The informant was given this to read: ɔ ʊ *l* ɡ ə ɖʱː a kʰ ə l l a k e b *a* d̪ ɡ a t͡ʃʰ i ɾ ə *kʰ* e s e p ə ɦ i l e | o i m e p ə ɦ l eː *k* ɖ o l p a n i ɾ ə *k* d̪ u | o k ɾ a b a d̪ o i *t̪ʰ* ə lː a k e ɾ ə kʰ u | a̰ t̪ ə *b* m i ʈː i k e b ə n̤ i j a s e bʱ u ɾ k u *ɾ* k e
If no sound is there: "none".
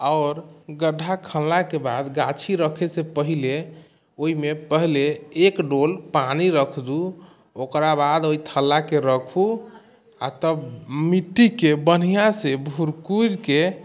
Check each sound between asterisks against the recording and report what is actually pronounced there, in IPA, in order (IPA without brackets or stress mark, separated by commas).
ɾ, a, kʰ, k, kʰ, t̪ʰ, b, ɾ